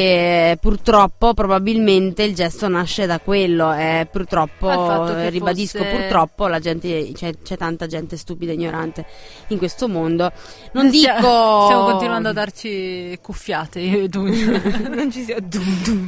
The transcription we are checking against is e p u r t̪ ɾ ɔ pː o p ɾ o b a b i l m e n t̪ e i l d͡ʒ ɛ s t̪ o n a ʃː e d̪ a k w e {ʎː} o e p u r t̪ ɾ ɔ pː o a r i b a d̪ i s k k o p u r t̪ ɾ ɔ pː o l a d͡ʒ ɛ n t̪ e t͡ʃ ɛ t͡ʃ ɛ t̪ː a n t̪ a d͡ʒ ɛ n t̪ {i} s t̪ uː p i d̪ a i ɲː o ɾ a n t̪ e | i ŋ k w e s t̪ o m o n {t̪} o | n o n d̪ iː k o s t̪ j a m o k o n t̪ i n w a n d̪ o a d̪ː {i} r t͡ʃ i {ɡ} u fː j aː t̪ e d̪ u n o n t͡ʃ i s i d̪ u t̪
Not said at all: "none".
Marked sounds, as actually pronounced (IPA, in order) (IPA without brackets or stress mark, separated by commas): lː, e, d̪, a, k